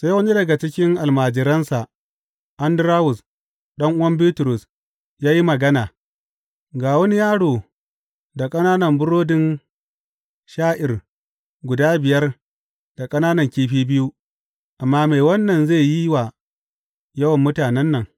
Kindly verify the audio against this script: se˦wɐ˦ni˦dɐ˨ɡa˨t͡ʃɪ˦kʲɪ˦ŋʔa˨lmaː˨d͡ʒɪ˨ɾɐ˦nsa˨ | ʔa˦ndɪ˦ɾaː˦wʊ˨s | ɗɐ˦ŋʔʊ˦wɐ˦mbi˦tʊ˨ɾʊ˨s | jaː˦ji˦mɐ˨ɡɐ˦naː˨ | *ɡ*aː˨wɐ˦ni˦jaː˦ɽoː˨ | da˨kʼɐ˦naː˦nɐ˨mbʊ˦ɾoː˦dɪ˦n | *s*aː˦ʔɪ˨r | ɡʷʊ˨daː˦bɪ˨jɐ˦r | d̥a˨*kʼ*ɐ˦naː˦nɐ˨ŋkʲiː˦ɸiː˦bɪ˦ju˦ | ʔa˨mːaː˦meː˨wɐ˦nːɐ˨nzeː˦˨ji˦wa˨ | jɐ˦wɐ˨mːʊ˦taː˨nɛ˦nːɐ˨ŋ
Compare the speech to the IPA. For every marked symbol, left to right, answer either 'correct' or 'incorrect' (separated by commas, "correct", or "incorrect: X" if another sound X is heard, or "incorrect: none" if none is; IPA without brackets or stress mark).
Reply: correct, incorrect: ʃ, correct